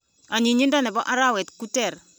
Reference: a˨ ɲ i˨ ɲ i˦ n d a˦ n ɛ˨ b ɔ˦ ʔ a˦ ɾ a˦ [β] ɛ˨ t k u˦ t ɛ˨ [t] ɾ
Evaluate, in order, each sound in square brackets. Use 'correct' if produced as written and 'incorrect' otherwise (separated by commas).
incorrect, incorrect